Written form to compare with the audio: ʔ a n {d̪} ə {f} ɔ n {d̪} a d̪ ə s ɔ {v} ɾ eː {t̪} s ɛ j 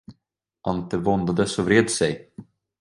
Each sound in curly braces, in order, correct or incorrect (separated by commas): incorrect, incorrect, correct, correct, incorrect